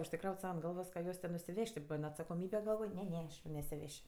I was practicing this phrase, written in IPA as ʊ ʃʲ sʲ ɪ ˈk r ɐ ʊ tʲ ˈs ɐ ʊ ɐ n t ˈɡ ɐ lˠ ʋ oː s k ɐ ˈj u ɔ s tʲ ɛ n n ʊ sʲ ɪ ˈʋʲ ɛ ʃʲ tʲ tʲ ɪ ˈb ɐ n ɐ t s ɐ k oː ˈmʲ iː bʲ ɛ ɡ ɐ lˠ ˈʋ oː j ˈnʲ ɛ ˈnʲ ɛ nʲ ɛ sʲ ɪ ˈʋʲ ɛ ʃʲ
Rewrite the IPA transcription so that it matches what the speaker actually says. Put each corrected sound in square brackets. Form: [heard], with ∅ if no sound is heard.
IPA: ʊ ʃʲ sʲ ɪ ˈk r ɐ ʊ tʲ ˈs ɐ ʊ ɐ n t ˈɡ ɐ lˠ ʋ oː s k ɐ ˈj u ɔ s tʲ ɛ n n ʊ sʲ ɪ ˈʋʲ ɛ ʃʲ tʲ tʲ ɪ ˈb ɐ n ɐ t s ɐ k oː ˈmʲ iː bʲ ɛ ɡ ɐ lˠ ˈʋ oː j ˈnʲ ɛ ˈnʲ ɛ nʲ ɛ sʲ ɪ ˈʋʲ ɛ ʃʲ